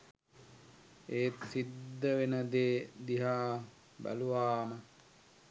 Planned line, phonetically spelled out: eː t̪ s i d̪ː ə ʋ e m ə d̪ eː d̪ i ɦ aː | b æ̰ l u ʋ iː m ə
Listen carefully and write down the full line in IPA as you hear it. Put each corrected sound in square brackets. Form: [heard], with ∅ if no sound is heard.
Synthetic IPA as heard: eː t̪ s i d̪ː ə ʋ e [n] ə d̪ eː d̪ i ɦ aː | b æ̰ l u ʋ [aː] m ə